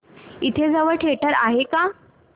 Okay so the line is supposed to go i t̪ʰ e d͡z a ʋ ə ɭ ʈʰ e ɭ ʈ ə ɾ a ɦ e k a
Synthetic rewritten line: i t̪ʰ e d͡z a ʋ ə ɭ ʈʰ e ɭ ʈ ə ɾ a ɦ e k a